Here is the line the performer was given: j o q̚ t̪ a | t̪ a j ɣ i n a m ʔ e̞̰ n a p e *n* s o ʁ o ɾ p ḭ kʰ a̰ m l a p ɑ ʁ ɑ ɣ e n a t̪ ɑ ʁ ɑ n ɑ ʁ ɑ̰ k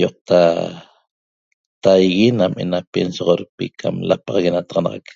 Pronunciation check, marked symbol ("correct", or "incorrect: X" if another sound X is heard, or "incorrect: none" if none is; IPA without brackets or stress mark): correct